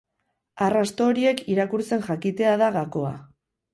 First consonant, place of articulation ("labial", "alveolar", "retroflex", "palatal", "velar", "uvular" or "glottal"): alveolar